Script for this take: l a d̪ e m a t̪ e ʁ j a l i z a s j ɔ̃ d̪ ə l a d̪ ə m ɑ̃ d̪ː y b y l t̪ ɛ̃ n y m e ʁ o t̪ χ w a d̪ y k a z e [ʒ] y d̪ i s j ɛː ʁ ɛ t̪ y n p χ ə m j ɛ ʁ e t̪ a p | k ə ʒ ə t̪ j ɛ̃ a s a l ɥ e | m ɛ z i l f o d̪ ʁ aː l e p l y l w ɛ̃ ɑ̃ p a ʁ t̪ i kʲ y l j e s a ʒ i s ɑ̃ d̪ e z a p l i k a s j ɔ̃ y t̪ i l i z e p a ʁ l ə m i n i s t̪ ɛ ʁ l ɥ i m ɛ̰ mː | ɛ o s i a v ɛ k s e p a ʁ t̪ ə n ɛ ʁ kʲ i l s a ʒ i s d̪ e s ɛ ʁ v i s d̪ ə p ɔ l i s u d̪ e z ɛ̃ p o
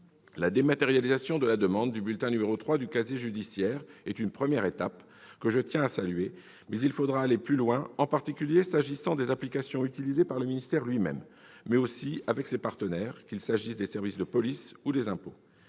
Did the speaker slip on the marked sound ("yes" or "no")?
no